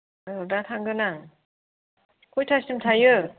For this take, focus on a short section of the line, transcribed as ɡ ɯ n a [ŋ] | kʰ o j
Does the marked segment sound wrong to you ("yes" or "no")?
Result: no